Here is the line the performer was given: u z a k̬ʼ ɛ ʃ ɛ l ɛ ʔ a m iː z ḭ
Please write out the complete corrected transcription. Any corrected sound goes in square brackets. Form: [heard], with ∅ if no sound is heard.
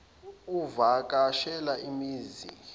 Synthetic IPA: u [v] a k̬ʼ [a] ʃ ɛ l [a] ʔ [i] m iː z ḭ